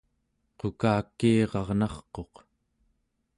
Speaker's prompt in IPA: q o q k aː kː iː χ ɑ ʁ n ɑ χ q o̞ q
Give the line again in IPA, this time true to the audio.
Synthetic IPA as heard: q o k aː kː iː ʁ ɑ ʁ n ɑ χ q o̞ q